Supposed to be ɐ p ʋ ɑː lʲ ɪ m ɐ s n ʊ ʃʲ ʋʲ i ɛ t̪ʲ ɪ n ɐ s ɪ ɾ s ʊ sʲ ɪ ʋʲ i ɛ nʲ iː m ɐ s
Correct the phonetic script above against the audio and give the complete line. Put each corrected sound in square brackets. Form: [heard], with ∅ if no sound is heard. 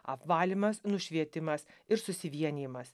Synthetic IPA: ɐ p ʋ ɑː lʲ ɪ m ɐ s n ʊ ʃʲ ʋʲ i ɛ t̪ʲ ɪ [m] ɐ s ɪ ɾ s ʊ sʲ ɪ ʋʲ i ɛ nʲ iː m ɐ s